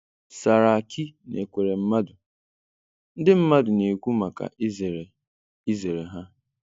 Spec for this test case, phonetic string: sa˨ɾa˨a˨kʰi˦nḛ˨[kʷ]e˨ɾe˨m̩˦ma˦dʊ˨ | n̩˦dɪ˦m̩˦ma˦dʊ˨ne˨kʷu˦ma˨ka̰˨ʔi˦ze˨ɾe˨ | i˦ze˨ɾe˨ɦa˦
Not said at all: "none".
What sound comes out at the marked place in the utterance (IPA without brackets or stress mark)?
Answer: kʷ